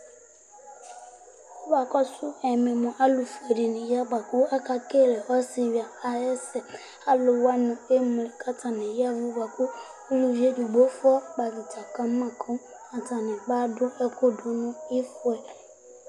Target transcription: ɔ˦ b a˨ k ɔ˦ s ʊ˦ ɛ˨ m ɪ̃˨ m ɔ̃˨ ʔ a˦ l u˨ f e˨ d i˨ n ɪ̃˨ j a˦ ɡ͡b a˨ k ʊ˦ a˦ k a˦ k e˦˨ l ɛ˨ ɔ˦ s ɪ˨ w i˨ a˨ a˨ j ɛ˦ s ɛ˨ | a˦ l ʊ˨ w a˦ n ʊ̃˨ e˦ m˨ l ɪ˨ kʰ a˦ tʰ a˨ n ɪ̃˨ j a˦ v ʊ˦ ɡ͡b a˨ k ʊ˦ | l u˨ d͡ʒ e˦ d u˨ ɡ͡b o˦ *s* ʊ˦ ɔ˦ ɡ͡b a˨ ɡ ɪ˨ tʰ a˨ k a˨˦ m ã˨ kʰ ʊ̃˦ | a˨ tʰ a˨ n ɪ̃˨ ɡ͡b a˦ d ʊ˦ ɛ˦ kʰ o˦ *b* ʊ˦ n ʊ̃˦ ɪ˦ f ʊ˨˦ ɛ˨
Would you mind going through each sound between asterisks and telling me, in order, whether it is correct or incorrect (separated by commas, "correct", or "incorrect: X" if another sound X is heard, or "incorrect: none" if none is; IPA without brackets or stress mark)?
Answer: incorrect: f, incorrect: d